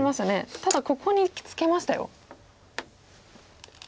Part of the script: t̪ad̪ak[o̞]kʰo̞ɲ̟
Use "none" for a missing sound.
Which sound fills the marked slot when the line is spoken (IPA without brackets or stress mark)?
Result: o̞